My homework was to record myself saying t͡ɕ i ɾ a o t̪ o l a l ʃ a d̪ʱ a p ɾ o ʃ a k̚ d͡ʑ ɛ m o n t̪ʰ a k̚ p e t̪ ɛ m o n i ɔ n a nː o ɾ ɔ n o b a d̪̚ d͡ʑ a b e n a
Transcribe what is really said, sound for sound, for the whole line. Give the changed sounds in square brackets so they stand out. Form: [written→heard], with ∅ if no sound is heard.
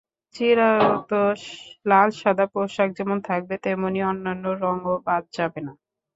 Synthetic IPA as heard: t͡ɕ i ɾ a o t̪ o l a l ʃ a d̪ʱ a p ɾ o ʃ a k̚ d͡ʑ ɛ m o n t̪ʰ a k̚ [p→b] e t̪ ɛ m o n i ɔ [n→nː] a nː o ɾ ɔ [n→ŋ] o b a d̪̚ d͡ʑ a b e n a